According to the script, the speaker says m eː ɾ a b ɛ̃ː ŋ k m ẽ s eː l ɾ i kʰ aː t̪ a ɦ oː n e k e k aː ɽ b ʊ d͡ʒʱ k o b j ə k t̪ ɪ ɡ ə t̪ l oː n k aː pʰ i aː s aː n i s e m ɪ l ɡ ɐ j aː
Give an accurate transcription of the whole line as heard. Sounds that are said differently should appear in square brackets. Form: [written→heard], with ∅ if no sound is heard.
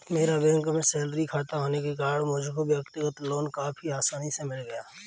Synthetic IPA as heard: m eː ɾ a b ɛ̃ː ŋ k m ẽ s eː l ɾ i kʰ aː t̪ a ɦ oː n e k e k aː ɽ [b→m] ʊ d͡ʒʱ k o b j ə k t̪ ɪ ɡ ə t̪ l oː n k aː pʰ i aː s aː n i s e m ɪ l ɡ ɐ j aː

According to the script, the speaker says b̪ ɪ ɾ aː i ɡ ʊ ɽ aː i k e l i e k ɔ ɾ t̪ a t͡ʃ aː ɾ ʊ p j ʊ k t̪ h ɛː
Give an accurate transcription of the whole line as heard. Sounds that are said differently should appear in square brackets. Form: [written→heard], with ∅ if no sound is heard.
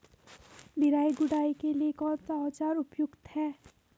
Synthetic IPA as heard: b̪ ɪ ɾ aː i ɡ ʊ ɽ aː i k e l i e k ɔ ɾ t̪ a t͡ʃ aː ɾ ʊ p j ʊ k t̪ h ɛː

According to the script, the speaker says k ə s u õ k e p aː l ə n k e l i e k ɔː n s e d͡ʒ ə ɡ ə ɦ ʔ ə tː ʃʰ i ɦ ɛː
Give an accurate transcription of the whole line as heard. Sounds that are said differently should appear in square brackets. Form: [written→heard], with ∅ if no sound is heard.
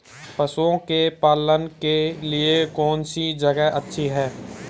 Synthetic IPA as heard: [k→p] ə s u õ k e p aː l ə n k e l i e k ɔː n s [e→i] d͡ʒ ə ɡ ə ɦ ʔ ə tː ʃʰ i ɦ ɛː

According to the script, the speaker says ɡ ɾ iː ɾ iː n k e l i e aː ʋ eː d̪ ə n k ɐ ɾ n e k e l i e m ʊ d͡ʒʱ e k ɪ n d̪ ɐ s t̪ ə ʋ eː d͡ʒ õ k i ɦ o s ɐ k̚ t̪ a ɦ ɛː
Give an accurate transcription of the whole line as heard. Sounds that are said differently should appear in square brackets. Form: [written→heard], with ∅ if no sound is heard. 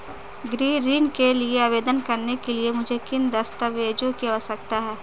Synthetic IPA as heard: ɡ ɾ iː ɾ iː n k e l i e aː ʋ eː d̪ ə n k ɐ ɾ n e k e l i e m ʊ d͡ʒʱ e k ɪ n d̪ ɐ s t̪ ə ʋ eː d͡ʒ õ k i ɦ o s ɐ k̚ t̪ a ɦ ɛː

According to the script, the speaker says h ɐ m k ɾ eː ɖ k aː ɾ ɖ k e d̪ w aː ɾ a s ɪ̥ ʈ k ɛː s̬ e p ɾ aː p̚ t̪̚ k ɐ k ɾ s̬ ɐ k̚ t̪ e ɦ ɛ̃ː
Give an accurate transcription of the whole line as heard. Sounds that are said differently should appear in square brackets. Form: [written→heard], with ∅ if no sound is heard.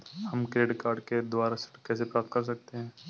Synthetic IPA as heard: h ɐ m k ɾ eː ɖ k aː ɾ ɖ k e d̪ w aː ɾ a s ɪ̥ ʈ k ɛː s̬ e p ɾ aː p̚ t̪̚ k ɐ [k→∅] ɾ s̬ ɐ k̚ t̪ e ɦ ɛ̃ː

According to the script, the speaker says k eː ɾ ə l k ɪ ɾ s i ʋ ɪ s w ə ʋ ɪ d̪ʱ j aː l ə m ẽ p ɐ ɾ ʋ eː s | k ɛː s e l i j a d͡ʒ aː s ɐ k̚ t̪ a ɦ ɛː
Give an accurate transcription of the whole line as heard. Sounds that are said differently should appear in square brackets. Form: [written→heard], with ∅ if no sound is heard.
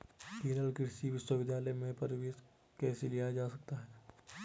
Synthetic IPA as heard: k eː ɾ ə l k ɪ ɾ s i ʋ ɪ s w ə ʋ ɪ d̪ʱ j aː l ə m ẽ p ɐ ɾ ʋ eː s | k ɛː s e l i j a d͡ʒ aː s ɐ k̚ t̪ a ɦ ɛː

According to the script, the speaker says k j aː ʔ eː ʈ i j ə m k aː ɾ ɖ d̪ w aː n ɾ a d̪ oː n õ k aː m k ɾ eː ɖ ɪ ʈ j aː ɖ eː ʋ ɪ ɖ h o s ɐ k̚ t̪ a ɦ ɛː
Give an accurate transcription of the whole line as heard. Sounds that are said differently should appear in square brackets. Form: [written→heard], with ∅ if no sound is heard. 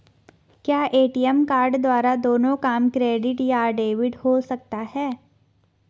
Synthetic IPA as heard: k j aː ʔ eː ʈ i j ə m k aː ɾ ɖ d̪ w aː [n→∅] ɾ a d̪ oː n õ k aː m k ɾ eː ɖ ɪ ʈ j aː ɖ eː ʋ ɪ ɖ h o s ɐ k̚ t̪ a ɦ ɛː

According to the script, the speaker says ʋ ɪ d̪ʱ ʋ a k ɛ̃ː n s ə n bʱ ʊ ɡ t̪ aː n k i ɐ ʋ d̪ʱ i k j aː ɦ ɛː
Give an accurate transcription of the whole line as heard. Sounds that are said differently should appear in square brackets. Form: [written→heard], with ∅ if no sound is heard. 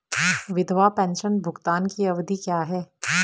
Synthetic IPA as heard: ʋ ɪ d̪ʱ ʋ a [k→p] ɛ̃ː n [s→ʃ] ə n bʱ ʊ ɡ t̪ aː n k i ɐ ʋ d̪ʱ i k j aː ɦ ɛː

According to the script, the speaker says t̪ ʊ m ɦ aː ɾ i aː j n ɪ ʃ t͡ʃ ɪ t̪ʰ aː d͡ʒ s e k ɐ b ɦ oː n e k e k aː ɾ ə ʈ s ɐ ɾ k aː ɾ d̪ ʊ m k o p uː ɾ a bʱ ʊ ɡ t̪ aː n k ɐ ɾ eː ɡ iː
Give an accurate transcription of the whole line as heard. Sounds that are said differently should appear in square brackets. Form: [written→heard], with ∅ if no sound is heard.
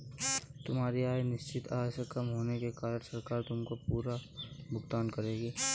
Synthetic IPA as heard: t̪ ʊ m ɦ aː ɾ i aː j n ɪ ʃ t͡ʃ ɪ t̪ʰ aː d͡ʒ s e k ɐ [b→m] ɦ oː n e k e k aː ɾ ə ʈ s ɐ ɾ k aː ɾ [d̪→t̪] ʊ m k o p uː ɾ a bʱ ʊ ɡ t̪ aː n k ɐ ɾ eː ɡ iː

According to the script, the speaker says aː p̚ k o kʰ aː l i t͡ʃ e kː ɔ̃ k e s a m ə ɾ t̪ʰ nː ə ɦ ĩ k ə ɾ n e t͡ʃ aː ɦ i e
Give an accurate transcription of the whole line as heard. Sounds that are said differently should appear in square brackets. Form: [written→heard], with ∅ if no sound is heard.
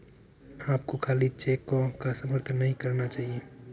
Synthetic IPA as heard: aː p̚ k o kʰ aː l i t͡ʃ e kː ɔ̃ k [e→a] s [a→ə] m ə ɾ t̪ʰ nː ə ɦ ĩ k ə ɾ n [e→a] t͡ʃ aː ɦ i e

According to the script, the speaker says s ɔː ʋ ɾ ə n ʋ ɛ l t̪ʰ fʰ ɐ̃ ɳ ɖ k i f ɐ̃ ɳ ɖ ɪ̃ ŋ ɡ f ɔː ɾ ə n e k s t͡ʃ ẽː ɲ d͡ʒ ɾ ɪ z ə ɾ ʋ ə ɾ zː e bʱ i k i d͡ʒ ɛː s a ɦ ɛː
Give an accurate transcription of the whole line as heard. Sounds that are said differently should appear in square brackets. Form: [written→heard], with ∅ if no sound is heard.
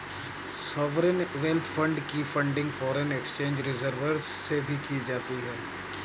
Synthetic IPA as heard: s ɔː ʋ ɾ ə n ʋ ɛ l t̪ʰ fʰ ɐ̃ ɳ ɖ k i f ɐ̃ ɳ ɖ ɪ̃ ŋ ɡ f ɔː ɾ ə n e k s t͡ʃ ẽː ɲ d͡ʒ ɾ ɪ z ə ɾ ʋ ə ɾ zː e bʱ i k i d͡ʒ [ɛː→aː] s [a→i] ɦ ɛː

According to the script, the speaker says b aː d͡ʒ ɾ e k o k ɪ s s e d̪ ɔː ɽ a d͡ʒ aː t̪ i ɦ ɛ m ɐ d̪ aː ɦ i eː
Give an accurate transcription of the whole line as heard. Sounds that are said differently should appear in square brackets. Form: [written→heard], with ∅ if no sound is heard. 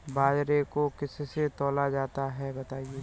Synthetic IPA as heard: b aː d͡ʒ ɾ e k o k ɪ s s e [d̪→t̪] ɔː [ɽ→l] a d͡ʒ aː t̪ [i→a] ɦ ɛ [m→b] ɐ [d̪→t̪] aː [ɦ→∅] i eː

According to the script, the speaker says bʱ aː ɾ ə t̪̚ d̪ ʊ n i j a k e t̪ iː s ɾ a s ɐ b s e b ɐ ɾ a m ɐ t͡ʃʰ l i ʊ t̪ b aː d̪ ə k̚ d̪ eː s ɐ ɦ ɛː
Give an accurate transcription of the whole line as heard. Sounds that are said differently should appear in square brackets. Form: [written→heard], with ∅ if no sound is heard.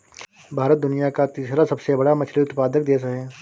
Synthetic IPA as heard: bʱ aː ɾ ə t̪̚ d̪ ʊ n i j a k [e→a] t̪ iː s ɾ a s ɐ b s e b ɐ [ɾ→ɽ] a m ɐ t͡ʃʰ l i ʊ t̪ [b→p] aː d̪ ə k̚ d̪ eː s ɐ ɦ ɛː

